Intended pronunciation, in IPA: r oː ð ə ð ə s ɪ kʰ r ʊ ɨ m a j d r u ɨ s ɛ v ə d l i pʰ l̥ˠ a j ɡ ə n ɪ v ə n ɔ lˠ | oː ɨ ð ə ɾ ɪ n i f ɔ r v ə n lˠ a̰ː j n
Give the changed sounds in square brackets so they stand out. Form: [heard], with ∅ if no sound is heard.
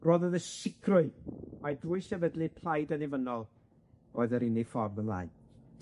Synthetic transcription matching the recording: r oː ð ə ð ə s ɪ kʰ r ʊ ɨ m a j d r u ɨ s ɛ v ə d l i pʰ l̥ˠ a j [d] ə n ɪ v ə n ɔ lˠ | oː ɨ ð ə ɾ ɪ n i f ɔ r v ə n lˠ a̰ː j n